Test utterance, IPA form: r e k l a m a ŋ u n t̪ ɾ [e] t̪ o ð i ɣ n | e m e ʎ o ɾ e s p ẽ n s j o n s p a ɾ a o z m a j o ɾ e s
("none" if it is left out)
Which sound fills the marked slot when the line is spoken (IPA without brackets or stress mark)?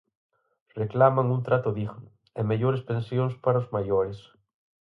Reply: a